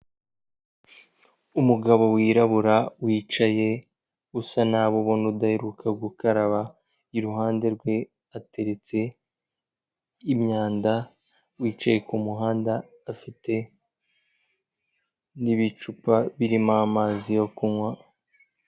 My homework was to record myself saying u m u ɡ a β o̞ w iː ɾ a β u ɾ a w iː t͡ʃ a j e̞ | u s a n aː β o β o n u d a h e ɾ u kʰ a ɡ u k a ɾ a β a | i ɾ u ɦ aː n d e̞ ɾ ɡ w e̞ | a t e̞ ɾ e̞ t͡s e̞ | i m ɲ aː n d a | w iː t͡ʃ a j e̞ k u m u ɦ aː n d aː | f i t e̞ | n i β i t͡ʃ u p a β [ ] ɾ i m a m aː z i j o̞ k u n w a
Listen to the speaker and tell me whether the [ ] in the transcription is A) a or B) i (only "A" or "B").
B